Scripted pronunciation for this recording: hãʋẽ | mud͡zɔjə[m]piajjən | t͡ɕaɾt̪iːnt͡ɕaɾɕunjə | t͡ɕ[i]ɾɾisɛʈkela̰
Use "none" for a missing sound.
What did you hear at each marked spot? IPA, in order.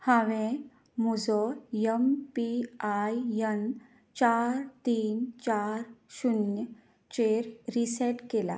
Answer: m, e

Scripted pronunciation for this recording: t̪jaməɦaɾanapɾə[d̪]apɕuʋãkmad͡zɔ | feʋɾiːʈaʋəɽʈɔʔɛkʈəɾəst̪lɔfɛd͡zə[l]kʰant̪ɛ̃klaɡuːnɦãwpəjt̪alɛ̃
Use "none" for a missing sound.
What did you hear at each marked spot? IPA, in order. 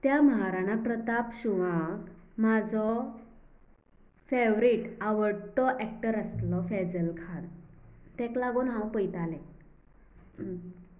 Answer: t̪, l

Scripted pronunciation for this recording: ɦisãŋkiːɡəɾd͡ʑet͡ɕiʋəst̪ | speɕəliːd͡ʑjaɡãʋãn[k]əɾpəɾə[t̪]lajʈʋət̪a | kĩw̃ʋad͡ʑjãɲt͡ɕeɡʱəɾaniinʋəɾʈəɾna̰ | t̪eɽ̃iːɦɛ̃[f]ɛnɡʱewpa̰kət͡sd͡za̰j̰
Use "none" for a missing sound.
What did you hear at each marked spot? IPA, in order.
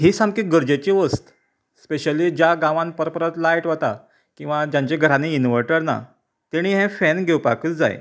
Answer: p, t̪, f

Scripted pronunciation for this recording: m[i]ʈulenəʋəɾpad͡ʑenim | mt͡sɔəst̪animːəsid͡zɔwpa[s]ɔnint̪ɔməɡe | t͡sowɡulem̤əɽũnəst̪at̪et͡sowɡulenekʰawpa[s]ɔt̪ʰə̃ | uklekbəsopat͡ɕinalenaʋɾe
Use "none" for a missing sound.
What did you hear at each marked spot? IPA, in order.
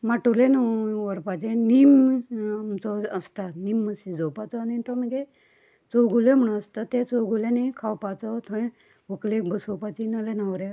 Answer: a, t͡s, t͡s

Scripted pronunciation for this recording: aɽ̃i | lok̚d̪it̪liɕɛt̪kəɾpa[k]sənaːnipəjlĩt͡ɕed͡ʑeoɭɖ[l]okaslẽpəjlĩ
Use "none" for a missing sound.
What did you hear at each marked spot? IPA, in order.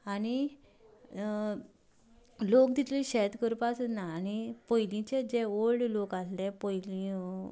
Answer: none, l

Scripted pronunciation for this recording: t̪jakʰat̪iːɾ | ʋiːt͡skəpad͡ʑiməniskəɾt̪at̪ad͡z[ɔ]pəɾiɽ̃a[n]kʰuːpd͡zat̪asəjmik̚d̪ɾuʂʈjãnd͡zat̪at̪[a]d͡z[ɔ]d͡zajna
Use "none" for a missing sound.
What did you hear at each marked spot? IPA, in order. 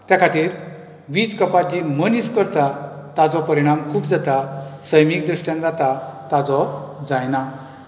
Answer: ɔ, m, a, ɔ

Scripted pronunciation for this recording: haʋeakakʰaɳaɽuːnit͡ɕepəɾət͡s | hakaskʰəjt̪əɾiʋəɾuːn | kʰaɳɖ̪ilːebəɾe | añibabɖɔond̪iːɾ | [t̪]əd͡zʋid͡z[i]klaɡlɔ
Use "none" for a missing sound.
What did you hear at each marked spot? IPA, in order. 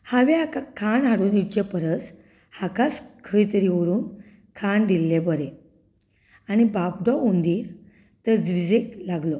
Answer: t̪, e

